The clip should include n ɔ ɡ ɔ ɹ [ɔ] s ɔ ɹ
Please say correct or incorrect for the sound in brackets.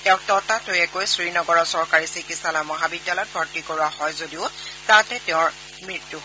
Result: correct